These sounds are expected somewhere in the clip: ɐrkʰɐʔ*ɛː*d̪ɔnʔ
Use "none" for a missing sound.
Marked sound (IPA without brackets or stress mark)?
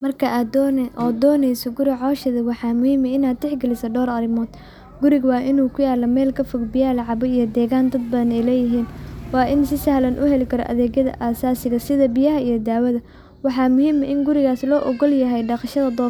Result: aː